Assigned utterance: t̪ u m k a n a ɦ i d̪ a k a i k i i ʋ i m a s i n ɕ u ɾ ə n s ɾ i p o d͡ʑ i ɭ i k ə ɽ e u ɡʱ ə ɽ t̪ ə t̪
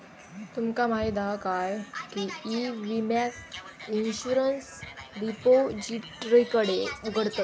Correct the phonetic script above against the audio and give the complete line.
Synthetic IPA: t̪ u m k a m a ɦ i d̪ a k a j k i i ʋ i m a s i n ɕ u ɾ ə n s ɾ i p o d͡ʑ i ɾ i k ə ɽ e u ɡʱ ə ɽ t̪ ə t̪